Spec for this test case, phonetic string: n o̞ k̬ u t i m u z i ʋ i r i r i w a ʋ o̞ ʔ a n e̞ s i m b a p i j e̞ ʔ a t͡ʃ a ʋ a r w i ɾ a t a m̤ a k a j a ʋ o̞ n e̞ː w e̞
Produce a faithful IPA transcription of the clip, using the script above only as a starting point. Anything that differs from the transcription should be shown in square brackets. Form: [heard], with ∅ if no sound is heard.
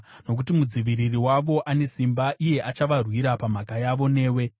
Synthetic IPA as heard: n o̞ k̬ u t i m u [d͡z] i ʋ i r i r i w a ʋ o̞ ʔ a n e̞ s i m b a [ʔ] i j e̞ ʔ a t͡ʃ a ʋ a r w i ɾ a [p] a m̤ a k a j a ʋ o̞ n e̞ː w e̞